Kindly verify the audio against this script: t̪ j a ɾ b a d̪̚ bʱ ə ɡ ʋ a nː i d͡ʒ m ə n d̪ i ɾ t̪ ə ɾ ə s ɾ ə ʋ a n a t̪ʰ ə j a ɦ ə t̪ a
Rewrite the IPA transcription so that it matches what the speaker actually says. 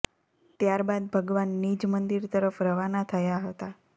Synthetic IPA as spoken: t̪ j a ɾ b a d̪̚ bʱ ə ɡ ʋ a nː i d͡ʒ m ə n d̪ i ɾ t̪ ə ɾ ə f ɾ ə ʋ a n a t̪ʰ ə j a ɦ ə t̪ a